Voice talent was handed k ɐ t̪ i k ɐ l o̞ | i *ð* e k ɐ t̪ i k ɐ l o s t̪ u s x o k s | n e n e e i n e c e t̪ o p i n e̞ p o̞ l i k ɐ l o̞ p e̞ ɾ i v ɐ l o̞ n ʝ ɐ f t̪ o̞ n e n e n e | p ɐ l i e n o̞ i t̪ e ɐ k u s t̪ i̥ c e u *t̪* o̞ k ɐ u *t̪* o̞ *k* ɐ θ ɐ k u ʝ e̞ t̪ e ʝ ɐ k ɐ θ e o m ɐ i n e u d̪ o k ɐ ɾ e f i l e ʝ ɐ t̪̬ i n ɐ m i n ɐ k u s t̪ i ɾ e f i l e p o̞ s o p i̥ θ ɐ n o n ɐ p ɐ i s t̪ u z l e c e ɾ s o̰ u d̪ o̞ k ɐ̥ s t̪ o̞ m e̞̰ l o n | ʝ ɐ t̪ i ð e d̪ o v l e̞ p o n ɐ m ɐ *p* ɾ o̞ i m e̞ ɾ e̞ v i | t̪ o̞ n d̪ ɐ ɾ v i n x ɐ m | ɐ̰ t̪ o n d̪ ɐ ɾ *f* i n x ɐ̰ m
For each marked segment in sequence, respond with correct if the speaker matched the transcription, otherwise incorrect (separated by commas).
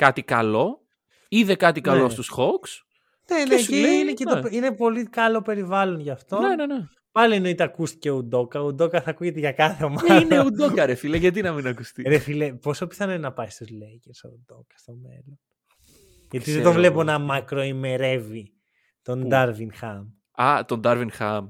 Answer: correct, incorrect, incorrect, correct, incorrect, incorrect